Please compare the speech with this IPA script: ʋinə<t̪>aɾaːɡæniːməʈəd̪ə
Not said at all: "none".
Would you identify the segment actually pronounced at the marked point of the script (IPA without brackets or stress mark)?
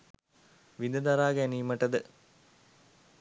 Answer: d̪